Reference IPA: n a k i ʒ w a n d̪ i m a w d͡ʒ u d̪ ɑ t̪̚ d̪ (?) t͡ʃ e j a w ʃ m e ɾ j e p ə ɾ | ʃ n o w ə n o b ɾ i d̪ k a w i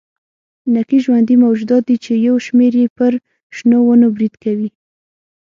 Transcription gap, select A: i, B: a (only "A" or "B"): A